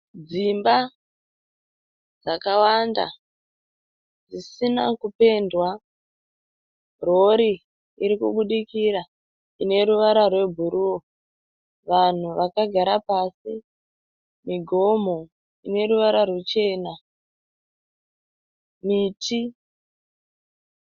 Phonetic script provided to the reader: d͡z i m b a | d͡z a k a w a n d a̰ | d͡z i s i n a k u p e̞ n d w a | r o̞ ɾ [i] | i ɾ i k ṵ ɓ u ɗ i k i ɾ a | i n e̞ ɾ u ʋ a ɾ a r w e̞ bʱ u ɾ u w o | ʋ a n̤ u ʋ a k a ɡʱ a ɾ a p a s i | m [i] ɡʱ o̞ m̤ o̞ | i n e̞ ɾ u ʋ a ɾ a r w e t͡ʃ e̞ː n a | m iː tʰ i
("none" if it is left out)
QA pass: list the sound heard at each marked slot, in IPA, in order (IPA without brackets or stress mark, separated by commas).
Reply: i, i